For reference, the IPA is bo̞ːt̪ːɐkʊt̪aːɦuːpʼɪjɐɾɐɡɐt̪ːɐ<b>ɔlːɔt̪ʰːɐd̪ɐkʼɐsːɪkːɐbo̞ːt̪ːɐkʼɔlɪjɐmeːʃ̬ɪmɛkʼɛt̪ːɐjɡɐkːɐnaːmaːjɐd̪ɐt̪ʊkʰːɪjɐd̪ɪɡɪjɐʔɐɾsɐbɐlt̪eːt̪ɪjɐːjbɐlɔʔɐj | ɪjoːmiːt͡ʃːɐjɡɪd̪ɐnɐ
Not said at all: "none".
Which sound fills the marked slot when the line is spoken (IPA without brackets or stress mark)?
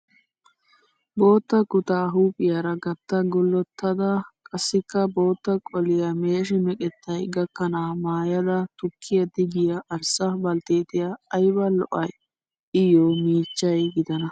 ɡ